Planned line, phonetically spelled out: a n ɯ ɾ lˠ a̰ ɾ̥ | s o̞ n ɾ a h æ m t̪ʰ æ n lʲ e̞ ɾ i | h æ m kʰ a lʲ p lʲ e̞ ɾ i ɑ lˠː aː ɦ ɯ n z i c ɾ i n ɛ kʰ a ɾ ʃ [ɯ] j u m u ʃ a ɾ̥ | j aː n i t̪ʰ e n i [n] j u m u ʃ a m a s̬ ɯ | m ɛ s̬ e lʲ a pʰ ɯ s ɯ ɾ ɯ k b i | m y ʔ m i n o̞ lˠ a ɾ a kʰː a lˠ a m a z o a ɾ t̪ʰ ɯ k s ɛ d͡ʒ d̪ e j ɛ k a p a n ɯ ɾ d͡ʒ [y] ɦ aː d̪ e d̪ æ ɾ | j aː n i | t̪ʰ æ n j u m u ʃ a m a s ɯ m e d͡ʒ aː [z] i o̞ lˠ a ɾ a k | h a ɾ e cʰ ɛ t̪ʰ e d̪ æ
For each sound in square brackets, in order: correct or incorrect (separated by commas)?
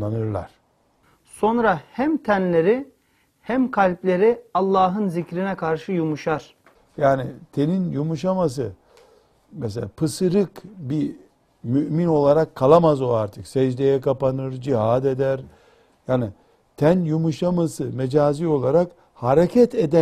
correct, correct, incorrect, correct